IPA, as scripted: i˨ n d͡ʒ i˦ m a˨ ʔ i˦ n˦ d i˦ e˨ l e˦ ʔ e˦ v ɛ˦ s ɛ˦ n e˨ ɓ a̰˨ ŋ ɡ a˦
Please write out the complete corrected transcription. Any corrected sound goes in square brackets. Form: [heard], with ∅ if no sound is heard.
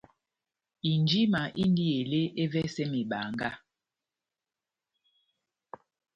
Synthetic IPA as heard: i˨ n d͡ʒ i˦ m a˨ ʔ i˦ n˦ d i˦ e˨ l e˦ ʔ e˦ v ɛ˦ s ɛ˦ [m] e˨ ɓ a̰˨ ŋ ɡ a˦